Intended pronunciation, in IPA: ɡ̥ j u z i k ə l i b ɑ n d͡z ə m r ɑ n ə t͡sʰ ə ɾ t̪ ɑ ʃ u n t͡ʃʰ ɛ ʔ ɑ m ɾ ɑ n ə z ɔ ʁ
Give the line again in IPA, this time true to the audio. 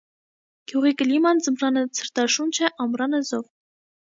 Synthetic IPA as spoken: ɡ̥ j u ʁ i k ə l i m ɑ n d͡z ə m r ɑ n ə t͡sʰ ə ɾ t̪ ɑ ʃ u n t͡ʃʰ ɛ ʔ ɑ m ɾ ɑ n ə z ɔ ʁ